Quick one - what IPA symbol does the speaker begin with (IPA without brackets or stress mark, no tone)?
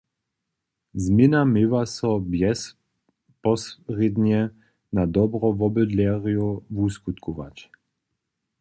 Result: z